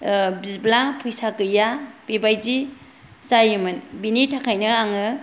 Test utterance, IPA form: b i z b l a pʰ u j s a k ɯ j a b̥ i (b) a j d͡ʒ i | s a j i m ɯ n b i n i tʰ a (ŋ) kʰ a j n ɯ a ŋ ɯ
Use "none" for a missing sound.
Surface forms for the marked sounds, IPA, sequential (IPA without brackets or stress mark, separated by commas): b, none